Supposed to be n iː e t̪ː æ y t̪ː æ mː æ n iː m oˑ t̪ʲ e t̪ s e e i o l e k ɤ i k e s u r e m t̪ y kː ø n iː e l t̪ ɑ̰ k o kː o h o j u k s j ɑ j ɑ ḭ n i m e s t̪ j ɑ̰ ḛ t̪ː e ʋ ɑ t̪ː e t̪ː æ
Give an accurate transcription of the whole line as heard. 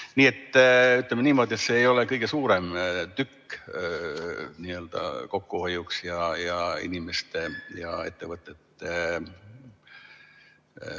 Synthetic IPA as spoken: n iː e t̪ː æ y t̪ː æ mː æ n iː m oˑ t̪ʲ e t̪ s e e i o l e k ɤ i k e s uː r e m t̪ y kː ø n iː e l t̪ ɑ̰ k o kː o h o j u k s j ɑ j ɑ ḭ n i m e s t̪ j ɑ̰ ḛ t̪ː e ʋ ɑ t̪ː e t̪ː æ